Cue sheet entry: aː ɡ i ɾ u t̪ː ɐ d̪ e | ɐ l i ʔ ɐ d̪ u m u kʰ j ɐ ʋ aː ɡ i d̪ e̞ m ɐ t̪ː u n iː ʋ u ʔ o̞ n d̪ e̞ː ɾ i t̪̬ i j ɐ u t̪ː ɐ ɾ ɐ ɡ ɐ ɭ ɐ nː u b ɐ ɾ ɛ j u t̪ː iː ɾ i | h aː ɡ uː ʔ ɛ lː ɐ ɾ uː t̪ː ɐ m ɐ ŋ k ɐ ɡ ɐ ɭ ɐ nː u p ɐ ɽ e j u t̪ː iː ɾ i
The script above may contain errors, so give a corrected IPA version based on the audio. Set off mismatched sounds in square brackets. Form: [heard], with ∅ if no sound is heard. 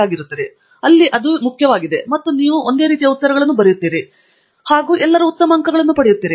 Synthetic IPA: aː ɡ i ɾ u t̪ː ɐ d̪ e | ɐ [lː] i ʔ ɐ d̪ u m u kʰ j ɐ ʋ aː ɡ i d̪ e̞ m ɐ t̪ː u n iː ʋ u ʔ o̞ n d̪ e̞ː ɾ [iː] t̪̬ i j ɐ u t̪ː ɐ ɾ ɐ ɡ ɐ ɭ ɐ nː u b ɐ ɾ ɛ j u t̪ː iː ɾ i | h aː ɡ uː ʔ ɛ lː ɐ ɾ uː t̪ː ɐ m ɐ ŋ k ɐ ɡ ɐ ɭ ɐ nː u p ɐ ɽ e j u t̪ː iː ɾ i